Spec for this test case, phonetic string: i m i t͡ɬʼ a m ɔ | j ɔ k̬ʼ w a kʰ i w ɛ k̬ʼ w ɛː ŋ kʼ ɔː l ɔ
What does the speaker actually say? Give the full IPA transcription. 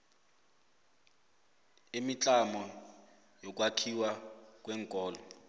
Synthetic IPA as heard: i m i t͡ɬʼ a m ɔ | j ɔ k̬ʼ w a kʰ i w a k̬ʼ w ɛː ŋ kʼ ɔː l ɔ